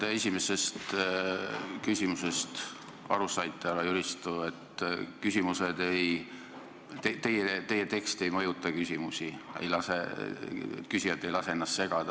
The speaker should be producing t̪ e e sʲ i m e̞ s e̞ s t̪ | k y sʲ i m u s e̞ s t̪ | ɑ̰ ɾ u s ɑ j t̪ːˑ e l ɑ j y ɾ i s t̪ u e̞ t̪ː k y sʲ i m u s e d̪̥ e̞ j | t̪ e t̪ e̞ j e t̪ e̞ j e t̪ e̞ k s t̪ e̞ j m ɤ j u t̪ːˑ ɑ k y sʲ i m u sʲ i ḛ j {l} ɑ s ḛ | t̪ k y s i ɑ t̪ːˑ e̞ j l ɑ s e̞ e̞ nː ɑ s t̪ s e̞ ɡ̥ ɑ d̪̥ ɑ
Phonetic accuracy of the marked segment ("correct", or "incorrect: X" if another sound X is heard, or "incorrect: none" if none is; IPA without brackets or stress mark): correct